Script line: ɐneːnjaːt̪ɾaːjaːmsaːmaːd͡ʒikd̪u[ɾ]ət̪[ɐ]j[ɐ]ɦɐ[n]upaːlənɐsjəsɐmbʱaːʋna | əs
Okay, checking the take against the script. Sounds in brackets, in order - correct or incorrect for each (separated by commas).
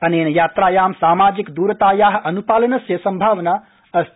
correct, incorrect, incorrect, correct